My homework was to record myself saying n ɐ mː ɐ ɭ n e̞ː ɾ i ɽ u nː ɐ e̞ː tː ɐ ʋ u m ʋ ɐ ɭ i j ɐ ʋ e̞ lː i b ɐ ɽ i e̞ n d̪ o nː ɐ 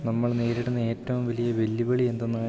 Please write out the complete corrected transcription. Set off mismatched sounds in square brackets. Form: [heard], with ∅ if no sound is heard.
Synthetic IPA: n ɐ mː ɐ ɭ n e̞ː ɾ i ɽ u nː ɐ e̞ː tː ɐ ʋ u m ʋ ɐ [l] i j ɐ ʋ e̞ lː i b ɐ [ɭ] i e̞ n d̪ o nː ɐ